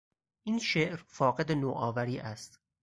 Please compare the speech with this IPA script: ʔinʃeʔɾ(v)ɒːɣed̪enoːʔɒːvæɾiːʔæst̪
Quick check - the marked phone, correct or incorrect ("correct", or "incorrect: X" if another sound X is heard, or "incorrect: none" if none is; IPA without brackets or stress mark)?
incorrect: f